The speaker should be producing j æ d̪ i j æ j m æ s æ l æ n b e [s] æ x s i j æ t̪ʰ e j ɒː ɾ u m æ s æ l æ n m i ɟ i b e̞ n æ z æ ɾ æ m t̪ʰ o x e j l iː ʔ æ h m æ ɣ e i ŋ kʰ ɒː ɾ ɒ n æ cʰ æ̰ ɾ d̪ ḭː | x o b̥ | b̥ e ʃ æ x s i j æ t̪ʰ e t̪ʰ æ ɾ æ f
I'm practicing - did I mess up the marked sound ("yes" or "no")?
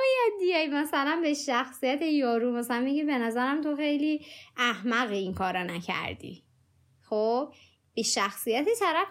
yes